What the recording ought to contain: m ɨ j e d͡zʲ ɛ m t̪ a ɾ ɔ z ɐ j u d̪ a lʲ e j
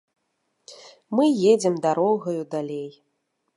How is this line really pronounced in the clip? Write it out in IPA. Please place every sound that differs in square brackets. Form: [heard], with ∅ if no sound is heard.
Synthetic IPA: m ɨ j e d͡zʲ ɛ m [d̪] a ɾ ɔ [ɣ] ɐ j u d̪ a lʲ e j